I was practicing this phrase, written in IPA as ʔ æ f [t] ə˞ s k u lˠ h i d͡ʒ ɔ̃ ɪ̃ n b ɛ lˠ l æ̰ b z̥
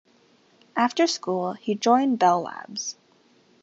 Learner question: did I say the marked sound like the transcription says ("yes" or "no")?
yes